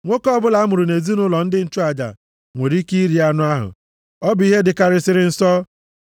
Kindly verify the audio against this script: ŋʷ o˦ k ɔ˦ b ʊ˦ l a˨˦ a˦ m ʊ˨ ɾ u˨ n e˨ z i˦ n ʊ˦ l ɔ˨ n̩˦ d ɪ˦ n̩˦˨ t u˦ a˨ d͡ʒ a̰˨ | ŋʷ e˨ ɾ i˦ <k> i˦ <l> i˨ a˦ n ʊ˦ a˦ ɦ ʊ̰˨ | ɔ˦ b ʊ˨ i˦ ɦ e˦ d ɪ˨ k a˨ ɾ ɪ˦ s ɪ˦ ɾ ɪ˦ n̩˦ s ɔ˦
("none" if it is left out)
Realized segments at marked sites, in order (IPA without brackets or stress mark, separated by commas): k, ɾ